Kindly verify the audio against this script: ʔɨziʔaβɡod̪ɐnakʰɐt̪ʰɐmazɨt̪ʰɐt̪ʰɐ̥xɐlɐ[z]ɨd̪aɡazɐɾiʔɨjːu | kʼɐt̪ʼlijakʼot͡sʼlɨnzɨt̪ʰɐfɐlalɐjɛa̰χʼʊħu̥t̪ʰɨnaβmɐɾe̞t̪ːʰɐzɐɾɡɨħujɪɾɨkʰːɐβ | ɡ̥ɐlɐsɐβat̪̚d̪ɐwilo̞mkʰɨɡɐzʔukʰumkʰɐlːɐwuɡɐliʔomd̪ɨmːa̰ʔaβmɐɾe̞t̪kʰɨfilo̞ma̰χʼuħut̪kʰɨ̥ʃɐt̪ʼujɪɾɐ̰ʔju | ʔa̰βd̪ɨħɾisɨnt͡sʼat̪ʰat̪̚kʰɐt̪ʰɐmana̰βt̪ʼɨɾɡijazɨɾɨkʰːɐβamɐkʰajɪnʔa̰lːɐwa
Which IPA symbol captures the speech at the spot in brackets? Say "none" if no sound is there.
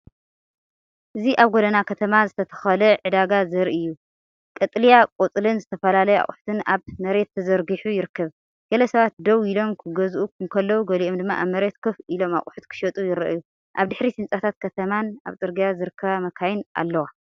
ʕ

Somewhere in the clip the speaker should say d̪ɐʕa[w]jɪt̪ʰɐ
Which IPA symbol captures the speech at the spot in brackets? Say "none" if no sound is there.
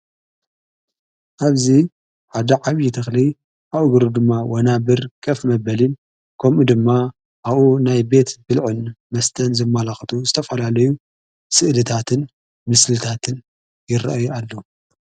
β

